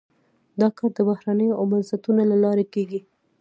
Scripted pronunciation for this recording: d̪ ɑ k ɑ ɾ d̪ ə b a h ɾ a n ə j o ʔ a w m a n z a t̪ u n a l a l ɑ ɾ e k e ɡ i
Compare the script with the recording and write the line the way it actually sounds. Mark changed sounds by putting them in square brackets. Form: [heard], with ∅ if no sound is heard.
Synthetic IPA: d̪ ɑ k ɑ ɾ d̪ ə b a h ɾ a n ə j o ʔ a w m a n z a t̪ u n a l a l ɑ ɾ e k e ɡ i